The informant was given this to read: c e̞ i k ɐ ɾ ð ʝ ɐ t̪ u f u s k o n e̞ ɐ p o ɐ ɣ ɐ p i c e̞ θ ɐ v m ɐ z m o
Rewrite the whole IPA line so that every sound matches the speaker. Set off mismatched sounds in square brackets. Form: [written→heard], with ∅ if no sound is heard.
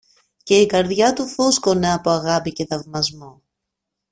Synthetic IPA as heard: c e̞ i k ɐ ɾ ð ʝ ɐ t̪ u f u s k o n e̞ ɐ p o ɐ ɣ ɐ p i c e̞ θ ɐ v m ɐ z m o